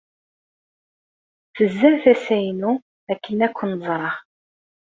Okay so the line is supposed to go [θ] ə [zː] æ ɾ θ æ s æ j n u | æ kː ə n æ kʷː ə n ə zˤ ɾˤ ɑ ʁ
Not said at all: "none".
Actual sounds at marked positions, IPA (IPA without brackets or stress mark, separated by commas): θ, zː